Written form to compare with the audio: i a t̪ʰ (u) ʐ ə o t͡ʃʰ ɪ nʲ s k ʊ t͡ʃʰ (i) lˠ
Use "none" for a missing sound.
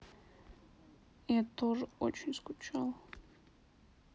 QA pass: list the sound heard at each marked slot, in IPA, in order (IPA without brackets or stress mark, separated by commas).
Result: o, a